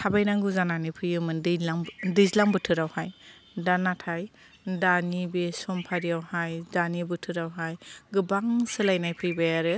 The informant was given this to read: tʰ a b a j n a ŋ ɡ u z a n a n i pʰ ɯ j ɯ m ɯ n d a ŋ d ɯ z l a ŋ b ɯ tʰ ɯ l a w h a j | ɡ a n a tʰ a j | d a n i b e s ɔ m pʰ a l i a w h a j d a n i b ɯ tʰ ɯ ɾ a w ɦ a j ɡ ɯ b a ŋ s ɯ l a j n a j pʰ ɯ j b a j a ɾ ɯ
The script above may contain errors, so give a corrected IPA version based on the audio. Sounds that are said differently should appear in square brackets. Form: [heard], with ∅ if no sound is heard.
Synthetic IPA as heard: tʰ a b a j n a ŋ ɡ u z a n a n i pʰ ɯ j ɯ m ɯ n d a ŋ d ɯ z l a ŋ b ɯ tʰ ɯ [ɾ] a w h a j | [d] a n a tʰ a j | d a n i b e s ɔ m pʰ a [ɾ] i a w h a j d a n i b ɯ tʰ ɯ ɾ a w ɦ a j ɡ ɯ b a ŋ s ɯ l a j n a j pʰ ɯ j b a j a ɾ ɯ